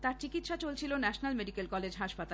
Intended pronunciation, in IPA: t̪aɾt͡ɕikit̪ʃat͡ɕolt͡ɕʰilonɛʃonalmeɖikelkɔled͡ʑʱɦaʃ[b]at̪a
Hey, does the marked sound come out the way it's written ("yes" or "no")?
no